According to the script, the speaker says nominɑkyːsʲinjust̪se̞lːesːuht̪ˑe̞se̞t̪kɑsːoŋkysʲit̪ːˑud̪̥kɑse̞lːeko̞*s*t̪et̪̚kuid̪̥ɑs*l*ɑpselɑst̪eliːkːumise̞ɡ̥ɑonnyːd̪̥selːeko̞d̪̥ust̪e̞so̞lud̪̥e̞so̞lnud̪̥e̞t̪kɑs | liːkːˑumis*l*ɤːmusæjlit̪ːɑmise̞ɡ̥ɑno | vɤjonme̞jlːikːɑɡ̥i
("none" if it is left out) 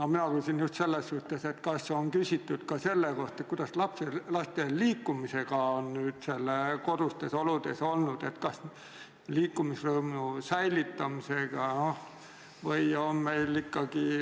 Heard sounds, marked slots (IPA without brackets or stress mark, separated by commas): h, l, r